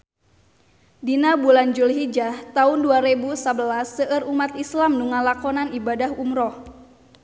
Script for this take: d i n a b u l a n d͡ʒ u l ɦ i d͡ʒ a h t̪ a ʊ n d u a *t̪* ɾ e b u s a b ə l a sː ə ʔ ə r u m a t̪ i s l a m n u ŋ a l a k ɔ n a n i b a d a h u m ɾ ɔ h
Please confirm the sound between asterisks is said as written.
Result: no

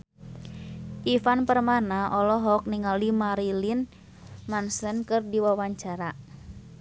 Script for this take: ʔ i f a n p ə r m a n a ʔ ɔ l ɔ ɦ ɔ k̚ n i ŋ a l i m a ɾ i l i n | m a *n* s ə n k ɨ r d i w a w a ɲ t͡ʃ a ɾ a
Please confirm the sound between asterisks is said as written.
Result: yes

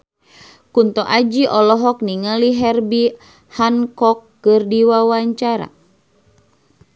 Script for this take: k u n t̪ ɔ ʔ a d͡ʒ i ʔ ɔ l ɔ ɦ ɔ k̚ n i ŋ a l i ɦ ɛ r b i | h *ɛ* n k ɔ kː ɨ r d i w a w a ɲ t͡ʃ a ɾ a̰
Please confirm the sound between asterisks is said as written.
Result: no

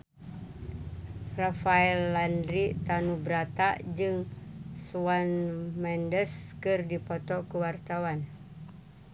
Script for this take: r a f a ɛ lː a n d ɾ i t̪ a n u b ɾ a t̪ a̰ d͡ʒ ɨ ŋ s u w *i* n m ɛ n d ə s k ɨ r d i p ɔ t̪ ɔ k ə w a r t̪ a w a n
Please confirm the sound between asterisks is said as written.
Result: no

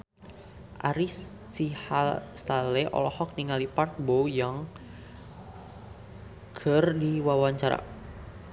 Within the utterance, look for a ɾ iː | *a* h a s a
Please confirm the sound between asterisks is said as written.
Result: no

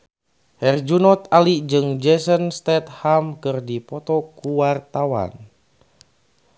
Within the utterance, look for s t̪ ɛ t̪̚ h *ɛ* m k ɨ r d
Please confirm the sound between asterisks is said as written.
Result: no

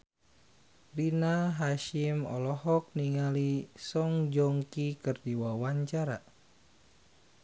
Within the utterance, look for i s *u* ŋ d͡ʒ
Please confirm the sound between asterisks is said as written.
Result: no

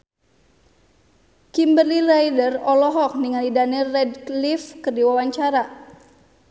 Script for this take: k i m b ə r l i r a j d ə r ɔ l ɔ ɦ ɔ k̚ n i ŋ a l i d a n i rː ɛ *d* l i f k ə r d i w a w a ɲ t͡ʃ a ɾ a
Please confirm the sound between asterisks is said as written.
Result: yes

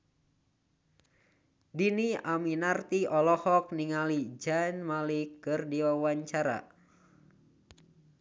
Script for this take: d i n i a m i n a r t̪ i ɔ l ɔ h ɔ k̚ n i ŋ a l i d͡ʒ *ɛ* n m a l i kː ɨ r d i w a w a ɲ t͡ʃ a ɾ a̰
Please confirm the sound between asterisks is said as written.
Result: no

